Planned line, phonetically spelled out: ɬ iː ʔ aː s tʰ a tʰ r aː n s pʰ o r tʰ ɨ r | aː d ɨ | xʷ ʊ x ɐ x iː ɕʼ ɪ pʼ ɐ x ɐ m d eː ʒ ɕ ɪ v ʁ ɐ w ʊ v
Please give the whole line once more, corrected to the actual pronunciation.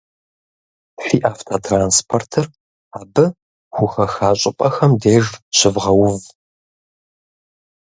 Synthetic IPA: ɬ iː ʔ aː f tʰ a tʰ r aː n s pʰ o r tʰ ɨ r | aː b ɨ | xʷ ʊ x ɐ x aː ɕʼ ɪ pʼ ɐ x ɐ m d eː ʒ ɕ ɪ v ʁ ɐ w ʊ v